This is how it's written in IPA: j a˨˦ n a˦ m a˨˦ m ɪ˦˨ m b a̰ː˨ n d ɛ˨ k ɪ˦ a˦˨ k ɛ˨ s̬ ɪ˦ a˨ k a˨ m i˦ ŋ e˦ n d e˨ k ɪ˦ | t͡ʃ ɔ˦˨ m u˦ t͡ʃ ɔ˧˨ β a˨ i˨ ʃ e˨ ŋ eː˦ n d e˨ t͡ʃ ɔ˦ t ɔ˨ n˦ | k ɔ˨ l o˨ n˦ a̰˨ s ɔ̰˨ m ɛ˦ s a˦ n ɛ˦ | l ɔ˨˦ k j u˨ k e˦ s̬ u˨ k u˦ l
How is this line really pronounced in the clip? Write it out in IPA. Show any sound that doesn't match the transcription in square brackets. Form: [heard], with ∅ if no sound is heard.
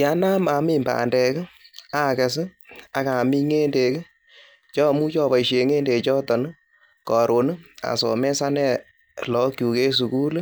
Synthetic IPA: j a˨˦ n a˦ m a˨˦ m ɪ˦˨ m b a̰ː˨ n d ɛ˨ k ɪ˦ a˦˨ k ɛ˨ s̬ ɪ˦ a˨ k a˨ m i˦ ŋ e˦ n d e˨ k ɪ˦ | t͡ʃ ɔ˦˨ m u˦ t͡ʃ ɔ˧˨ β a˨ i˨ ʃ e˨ ŋ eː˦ n d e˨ t͡ʃ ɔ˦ t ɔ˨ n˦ | k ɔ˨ [ɾ] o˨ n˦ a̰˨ s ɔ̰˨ m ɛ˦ s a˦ n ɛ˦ | l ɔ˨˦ k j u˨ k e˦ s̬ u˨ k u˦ l